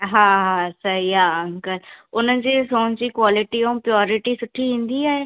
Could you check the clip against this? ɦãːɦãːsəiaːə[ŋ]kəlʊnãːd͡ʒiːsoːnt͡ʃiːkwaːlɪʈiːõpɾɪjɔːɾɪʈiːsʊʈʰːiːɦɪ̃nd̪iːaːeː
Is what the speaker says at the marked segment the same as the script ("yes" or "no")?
yes